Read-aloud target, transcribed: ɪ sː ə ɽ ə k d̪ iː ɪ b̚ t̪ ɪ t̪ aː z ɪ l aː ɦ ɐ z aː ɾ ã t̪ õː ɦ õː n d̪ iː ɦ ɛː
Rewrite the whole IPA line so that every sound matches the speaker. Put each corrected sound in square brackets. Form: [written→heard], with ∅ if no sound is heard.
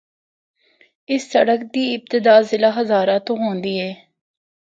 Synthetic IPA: ɪ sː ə ɽ ə k d̪ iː ɪ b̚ t̪ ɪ [t̪→d̪] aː z ɪ l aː ɦ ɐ z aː ɾ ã t̪ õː ɦ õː n d̪ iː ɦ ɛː